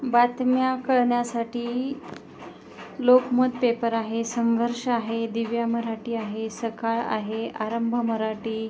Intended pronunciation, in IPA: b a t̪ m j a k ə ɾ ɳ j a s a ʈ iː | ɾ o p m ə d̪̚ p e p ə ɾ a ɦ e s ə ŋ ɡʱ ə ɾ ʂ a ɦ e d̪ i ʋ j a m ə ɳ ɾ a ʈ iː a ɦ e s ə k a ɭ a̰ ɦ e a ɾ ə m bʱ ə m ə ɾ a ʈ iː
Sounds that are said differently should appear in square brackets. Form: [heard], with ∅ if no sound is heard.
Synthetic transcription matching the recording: b a t̪ m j a k ə [ɭ] ɳ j a s a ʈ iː | [l] o [k] m ə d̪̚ p e p ə ɾ a ɦ e s ə ŋ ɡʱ ə ɾ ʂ a ɦ e d̪ i ʋ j a m ə [∅] ɾ a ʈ iː a ɦ e s ə k a ɭ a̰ ɦ e a ɾ ə m bʱ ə m ə ɾ a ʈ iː